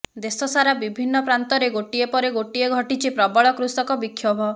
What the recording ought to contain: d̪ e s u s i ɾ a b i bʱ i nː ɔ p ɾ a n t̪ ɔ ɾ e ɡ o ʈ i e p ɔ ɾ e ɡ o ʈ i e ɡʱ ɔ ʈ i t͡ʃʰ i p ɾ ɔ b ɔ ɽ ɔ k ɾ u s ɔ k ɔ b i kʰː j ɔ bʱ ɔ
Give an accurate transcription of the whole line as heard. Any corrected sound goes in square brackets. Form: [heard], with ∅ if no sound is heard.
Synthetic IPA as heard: d̪ e s [ɔ] s [a] ɾ a b i bʱ i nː ɔ p ɾ a n t̪ ɔ ɾ e ɡ o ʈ i e p ɔ ɾ e ɡ o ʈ i e ɡʱ ɔ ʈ i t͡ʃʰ i p ɾ ɔ b ɔ [ɭ] ɔ k ɾ u s ɔ k ɔ b i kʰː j ɔ bʱ ɔ

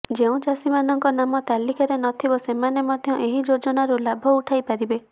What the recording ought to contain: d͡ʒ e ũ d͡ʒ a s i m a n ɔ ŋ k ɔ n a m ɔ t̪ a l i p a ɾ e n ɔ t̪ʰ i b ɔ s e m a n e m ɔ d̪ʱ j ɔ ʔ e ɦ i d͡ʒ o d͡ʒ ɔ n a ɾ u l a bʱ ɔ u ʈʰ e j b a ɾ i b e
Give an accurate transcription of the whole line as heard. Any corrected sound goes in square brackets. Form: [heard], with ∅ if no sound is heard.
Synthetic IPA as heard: d͡ʒ e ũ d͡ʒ a s i m a n ɔ ŋ k ɔ n a m ɔ t̪ a l i [k] a ɾ e n ɔ t̪ʰ i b ɔ s e m a n e m ɔ d̪ʱ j ɔ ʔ e ɦ i d͡ʒ o d͡ʒ ɔ n a ɾ u l a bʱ ɔ u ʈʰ [a] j [p] a ɾ i b e

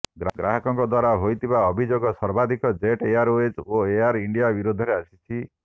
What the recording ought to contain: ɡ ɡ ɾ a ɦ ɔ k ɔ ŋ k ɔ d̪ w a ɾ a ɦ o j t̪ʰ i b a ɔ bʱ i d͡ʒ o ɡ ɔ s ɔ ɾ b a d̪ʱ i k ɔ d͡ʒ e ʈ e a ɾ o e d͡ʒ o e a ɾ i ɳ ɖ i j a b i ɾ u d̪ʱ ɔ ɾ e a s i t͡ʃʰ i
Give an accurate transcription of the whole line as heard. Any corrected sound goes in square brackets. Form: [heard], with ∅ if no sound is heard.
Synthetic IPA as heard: ɡ ɡ ɾ a ɦ ɔ k ɔ ŋ k ɔ d̪ w a ɾ a ɦ o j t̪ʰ i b a ɔ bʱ i d͡ʒ o ɡ ɔ s ɔ ɾ b a d̪ʱ i k ɔ d͡ʒ e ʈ e a ɾ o e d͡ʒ o e a ɾ i ɳ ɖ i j a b i ɾ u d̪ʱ ɔ ɾ e a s i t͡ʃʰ i

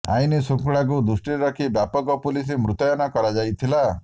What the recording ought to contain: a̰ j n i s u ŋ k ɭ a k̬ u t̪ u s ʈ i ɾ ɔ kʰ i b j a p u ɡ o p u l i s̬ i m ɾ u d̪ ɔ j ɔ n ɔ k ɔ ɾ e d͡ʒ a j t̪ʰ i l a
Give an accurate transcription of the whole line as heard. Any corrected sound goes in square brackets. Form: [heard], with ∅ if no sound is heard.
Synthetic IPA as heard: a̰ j n i s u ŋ k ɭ a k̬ u [d̪] u s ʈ i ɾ ɔ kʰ i b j a p [ɔ] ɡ [ɔ] p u l i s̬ i m ɾ u [t̪] ɔ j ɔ n ɔ k ɔ ɾ [a] d͡ʒ a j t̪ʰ i l a

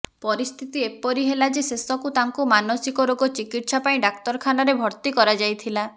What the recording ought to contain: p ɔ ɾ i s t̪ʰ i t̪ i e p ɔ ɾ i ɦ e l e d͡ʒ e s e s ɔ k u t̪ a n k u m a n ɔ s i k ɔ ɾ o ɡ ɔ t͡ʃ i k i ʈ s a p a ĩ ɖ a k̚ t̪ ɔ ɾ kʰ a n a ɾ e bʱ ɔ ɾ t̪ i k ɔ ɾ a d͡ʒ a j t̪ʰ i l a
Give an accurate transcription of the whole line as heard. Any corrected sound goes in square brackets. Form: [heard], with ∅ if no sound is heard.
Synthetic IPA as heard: p ɔ ɾ i s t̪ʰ i t̪ i e p ɔ ɾ i ɦ e l [a] d͡ʒ e s e s ɔ k u t̪ a [ŋ] k u m a n ɔ s i k ɔ ɾ o ɡ ɔ t͡ʃ i k i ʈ s a p a ĩ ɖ a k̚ t̪ ɔ ɾ kʰ a n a ɾ e bʱ ɔ ɾ t̪ i k ɔ ɾ a d͡ʒ a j t̪ʰ i l a

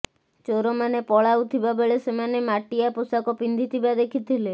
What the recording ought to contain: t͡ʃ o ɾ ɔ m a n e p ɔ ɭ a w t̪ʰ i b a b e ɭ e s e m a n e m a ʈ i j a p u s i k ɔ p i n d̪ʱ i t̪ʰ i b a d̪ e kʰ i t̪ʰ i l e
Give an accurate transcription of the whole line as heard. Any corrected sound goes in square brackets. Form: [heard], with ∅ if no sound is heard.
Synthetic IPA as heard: t͡ʃ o ɾ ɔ m a n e p ɔ ɭ a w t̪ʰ i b a b e ɭ e s e m a n e m a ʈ i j a p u s [a] k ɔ p i n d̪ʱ i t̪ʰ i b a d̪ e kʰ i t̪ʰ i l e

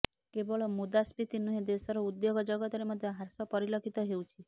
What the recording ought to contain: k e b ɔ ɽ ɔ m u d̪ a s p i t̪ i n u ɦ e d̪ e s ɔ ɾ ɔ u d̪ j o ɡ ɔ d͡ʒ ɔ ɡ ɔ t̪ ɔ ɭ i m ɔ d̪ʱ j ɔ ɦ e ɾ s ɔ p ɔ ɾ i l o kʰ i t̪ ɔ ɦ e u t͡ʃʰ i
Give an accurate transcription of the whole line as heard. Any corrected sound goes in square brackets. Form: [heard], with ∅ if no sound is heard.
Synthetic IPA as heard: k e b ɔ [ɭ] ɔ m u d̪ a s p i t̪ i n u ɦ e d̪ e s ɔ ɾ ɔ u d̪ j o ɡ ɔ d͡ʒ ɔ ɡ ɔ t̪ ɔ [ɾ] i m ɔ d̪ʱ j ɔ ɦ [a] ɾ s ɔ p ɔ ɾ i l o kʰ i t̪ ɔ ɦ e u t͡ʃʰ i

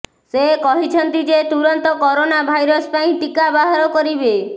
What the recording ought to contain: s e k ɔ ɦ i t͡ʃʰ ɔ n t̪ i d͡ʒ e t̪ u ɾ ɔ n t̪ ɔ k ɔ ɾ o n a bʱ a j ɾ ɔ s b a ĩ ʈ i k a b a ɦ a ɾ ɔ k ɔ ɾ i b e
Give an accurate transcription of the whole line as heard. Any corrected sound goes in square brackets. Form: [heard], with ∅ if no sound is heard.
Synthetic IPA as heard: s e k ɔ ɦ i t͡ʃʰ ɔ n t̪ i d͡ʒ e t̪ u ɾ ɔ n t̪ ɔ k ɔ ɾ o n a bʱ a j ɾ ɔ s [p] a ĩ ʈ i k a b a ɦ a ɾ ɔ k ɔ ɾ i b e

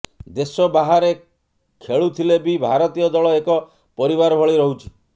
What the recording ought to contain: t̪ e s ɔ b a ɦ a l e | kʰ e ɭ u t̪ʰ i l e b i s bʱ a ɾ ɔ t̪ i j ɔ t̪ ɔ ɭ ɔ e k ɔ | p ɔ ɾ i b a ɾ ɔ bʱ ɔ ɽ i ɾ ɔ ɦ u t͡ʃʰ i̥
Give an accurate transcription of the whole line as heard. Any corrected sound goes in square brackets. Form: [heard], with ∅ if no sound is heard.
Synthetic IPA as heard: [d̪] e s ɔ b a ɦ a [ɾ] e | kʰ e ɭ u t̪ʰ i l e b i [∅] bʱ a ɾ ɔ t̪ i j ɔ [d̪] ɔ ɭ ɔ e k ɔ | p ɔ ɾ i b a ɾ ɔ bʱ ɔ [ɭ] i ɾ ɔ ɦ u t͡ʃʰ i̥

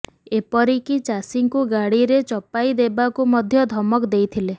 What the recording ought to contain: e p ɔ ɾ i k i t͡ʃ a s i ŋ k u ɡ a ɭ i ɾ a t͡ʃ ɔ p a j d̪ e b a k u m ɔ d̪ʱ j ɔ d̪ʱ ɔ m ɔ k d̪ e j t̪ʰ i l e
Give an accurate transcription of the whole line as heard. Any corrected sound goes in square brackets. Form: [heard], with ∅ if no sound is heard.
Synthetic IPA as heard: e p ɔ ɾ i k i t͡ʃ a s i ŋ k u ɡ a [ɽ] i ɾ [e] t͡ʃ ɔ p a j d̪ e b a k u m ɔ d̪ʱ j ɔ d̪ʱ ɔ m ɔ k d̪ e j t̪ʰ i l e

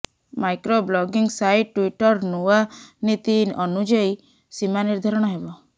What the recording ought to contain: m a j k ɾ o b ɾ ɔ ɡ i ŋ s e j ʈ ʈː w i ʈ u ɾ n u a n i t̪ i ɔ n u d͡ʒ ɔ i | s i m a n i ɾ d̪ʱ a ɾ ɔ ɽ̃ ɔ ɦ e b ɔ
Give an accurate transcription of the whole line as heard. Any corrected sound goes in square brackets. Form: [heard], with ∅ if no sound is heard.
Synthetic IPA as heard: m a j k ɾ o b [l] ɔ ɡ i ŋ s [a] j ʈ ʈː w i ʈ [ɔ] ɾ n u a n i t̪ i ɔ n u d͡ʒ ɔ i | s i m a n i ɾ d̪ʱ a ɾ ɔ ɽ̃ ɔ ɦ e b ɔ

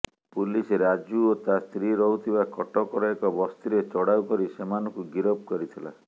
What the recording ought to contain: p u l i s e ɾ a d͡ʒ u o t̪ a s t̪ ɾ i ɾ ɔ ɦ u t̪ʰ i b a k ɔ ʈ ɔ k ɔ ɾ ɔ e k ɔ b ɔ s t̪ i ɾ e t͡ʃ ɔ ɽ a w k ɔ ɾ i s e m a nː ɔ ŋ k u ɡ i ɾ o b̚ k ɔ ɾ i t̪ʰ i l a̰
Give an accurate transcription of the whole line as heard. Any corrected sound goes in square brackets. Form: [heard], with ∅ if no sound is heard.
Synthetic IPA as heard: p u l i s e ɾ a d͡ʒ u o t̪ a s t̪ ɾ i ɾ ɔ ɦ u t̪ʰ i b a k ɔ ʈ ɔ k ɔ ɾ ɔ e k ɔ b ɔ s t̪ i ɾ e t͡ʃ ɔ ɽ a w k ɔ ɾ i s e m a [n] ɔ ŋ k u ɡ i ɾ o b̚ k ɔ ɾ i t̪ʰ i l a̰

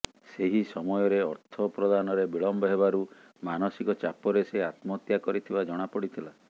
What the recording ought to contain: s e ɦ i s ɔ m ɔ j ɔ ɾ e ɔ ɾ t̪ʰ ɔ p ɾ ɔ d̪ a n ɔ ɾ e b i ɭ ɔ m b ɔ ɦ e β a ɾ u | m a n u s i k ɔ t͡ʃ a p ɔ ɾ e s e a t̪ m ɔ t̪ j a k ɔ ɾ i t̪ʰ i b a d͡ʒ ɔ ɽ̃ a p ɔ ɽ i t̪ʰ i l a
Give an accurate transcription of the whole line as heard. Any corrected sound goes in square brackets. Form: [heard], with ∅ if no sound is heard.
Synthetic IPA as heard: s e ɦ i s ɔ m ɔ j ɔ ɾ e ɔ ɾ t̪ʰ ɔ p ɾ ɔ d̪ a n ɔ ɾ e b i ɭ ɔ m b ɔ ɦ e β a ɾ u | m a n [ɔ] s i k ɔ t͡ʃ a p ɔ ɾ e s e a t̪ m ɔ t̪ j a k ɔ ɾ i t̪ʰ i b a d͡ʒ ɔ ɽ̃ a p ɔ ɽ i t̪ʰ i l a

